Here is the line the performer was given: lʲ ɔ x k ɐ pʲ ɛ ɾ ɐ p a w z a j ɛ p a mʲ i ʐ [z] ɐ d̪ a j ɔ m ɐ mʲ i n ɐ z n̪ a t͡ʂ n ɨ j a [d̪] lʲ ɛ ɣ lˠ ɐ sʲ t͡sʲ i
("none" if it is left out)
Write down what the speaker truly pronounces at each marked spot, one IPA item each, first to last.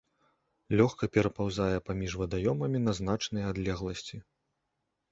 v, d̪

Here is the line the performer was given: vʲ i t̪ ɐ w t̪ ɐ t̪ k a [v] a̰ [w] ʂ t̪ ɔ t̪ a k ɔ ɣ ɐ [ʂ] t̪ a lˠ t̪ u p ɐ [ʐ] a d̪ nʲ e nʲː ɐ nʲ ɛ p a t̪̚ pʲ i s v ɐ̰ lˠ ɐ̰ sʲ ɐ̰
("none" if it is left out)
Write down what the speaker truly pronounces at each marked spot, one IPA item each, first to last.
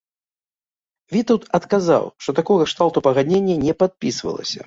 z, w, ʂ, ɣ

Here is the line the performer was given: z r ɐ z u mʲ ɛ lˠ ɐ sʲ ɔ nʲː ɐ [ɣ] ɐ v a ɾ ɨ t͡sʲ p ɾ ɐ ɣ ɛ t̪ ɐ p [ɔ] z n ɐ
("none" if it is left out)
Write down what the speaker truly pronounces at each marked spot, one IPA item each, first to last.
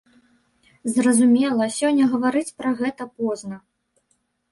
ɣ, ɔ

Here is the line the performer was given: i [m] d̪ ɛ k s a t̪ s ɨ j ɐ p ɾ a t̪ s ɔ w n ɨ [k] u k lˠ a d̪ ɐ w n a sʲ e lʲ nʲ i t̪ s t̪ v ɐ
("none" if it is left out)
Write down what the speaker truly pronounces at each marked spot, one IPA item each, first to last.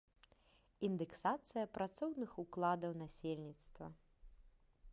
n, x

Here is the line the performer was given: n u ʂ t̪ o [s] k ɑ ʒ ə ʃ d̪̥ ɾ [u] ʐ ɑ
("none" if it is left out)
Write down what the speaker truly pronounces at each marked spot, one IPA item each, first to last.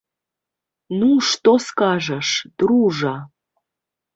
s, u

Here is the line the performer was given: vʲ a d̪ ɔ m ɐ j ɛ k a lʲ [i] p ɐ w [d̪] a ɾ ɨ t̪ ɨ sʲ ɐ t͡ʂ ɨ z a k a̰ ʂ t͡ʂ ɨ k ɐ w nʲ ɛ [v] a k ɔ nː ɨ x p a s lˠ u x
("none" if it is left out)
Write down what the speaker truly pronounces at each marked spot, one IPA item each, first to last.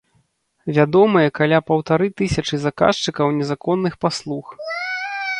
a, t̪, z

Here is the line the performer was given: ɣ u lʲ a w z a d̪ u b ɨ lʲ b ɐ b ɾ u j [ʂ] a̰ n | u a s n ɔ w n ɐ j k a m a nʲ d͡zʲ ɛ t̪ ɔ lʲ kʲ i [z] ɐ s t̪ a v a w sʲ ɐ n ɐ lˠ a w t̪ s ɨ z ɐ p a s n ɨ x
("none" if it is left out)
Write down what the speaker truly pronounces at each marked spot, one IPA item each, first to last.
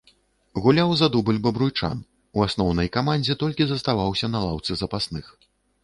t͡ʂ, z

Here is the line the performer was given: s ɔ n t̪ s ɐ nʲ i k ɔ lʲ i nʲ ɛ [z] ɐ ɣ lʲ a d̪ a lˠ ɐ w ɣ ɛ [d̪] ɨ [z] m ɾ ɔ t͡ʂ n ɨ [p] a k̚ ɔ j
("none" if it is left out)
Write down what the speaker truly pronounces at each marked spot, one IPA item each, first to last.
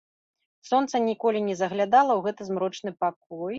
z, t̪, z, p

